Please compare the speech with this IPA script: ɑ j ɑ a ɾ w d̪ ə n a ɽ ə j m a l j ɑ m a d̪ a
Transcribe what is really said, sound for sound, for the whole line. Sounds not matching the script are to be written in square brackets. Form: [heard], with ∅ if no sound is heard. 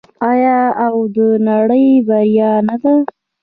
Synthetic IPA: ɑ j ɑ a [∅] w d̪ ə n a ɽ ə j [b] a [ɾ] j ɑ [n] a d̪ a